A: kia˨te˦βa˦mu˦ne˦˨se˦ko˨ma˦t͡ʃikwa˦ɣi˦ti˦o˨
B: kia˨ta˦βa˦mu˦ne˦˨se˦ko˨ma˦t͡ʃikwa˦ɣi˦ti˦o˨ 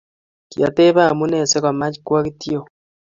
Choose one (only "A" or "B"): A